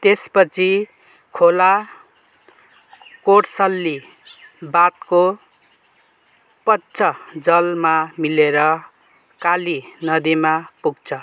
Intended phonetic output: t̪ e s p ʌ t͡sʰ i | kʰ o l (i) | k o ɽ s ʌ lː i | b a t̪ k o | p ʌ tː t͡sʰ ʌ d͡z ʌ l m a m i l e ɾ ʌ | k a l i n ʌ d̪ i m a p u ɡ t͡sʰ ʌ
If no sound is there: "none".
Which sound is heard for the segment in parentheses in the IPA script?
a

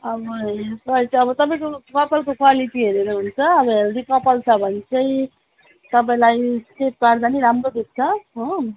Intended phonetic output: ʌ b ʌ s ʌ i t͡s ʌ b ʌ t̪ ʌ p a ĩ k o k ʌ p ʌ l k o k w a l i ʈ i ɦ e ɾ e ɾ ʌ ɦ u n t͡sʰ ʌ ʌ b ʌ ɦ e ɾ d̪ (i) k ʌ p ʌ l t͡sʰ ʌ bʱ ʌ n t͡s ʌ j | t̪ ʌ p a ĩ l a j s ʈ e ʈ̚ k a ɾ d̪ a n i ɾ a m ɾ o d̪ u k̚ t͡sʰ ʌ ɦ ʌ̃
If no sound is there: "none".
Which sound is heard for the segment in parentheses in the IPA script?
i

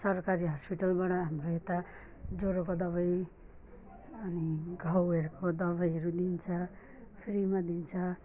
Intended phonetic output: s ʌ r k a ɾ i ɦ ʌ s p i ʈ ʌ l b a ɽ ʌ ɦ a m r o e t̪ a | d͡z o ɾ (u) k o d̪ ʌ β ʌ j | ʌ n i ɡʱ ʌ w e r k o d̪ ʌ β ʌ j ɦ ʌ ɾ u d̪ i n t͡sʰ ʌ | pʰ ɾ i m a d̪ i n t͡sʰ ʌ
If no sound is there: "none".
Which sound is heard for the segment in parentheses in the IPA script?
o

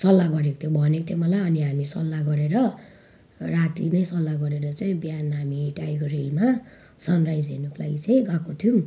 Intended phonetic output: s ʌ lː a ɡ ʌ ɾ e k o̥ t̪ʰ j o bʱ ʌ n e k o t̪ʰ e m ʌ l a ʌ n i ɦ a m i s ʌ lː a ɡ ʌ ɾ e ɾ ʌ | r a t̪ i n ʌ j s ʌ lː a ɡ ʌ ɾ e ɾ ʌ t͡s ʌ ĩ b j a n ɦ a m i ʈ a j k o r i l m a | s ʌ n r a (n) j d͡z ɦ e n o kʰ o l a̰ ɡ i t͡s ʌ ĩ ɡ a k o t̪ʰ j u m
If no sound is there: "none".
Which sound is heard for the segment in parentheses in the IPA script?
none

